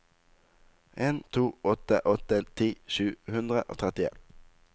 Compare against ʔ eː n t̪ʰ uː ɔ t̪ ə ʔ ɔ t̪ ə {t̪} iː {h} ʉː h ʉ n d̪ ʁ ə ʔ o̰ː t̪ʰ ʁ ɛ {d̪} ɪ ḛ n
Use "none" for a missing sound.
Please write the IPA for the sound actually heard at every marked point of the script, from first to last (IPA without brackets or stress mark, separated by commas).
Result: t̪ʰ, ʃ, t̪